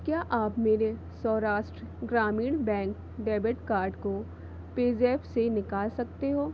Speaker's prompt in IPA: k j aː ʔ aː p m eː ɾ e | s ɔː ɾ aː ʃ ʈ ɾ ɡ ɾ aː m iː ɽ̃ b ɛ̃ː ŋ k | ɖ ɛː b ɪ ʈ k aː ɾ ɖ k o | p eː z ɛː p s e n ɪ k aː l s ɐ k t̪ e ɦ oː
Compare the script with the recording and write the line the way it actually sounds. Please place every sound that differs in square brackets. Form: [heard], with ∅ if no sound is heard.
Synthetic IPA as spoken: k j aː ʔ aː p m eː ɾ e | s ɔː ɾ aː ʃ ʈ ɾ ɡ ɾ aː m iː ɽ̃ b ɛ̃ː ŋ k | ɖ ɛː b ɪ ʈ k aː ɾ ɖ k o | p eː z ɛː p s e n ɪ k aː l s ɐ k t̪ e ɦ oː